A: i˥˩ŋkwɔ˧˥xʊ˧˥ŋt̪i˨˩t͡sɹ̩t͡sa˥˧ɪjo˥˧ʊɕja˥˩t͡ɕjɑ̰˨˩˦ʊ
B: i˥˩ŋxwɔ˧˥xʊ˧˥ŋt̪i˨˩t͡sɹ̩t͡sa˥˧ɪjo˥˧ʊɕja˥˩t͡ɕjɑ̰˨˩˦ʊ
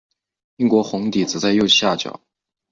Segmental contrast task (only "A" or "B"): A